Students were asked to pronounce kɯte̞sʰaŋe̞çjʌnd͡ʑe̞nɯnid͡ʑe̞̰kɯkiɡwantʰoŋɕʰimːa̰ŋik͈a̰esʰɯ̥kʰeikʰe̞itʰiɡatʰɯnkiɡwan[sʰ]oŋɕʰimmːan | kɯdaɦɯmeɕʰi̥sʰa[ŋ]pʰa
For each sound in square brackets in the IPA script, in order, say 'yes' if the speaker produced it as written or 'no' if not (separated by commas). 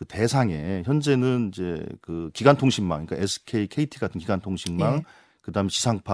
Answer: no, yes